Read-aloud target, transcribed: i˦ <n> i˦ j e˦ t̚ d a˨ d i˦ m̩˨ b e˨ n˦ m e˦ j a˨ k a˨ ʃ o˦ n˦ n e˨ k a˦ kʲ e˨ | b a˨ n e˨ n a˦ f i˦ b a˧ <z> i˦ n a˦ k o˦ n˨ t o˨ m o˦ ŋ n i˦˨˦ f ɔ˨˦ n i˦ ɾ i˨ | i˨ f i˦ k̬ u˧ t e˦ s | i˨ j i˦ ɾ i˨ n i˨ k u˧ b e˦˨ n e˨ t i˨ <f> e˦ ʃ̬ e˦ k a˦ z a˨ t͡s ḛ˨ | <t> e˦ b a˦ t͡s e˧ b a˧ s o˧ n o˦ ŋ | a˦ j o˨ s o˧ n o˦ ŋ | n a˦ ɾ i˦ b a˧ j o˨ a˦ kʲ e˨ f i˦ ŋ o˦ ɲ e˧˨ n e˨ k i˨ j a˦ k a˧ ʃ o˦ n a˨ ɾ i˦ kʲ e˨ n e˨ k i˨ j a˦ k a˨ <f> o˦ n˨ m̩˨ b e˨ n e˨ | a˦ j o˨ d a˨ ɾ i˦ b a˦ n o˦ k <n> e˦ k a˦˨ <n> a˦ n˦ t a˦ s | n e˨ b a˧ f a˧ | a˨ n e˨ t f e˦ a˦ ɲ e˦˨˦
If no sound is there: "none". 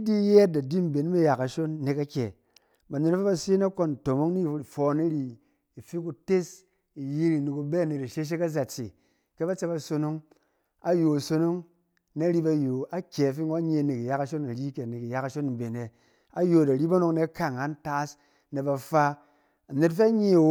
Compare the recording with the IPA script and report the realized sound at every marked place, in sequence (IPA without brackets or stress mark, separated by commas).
d, s, ʃ, k, ʃ, n, ŋ